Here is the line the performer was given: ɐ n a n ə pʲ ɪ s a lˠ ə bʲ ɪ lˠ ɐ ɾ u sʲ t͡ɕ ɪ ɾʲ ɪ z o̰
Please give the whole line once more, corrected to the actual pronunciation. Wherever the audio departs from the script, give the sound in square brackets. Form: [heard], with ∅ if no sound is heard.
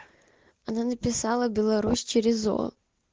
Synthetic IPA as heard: ɐ n a n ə pʲ ɪ s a lˠ ə bʲ ɪ lˠ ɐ ɾ u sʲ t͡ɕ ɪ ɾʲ ɪ z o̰